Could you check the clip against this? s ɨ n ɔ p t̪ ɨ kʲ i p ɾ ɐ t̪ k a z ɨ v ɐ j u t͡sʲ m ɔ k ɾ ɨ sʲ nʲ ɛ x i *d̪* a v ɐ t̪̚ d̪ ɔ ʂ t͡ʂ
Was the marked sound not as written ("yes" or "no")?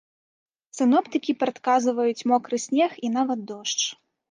yes